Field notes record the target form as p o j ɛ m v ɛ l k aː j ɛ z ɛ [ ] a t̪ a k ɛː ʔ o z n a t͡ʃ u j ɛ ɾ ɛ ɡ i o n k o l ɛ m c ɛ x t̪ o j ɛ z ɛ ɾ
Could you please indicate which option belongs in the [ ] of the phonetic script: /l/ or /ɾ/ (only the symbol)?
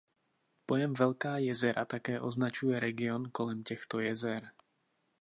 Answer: ɾ